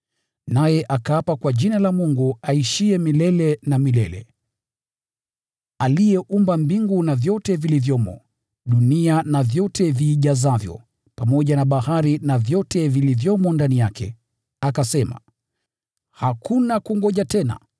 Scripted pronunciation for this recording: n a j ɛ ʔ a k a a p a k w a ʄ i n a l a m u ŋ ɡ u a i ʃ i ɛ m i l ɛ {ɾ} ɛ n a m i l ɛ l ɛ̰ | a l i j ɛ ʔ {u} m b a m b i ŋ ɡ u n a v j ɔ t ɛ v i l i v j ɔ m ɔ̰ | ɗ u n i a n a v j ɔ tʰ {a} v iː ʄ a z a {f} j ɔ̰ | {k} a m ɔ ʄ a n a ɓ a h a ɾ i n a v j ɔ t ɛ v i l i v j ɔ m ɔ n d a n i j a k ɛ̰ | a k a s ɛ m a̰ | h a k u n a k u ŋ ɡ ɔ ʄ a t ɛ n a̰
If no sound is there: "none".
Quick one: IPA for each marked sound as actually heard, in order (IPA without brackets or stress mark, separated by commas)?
l, u, ɛ, v, p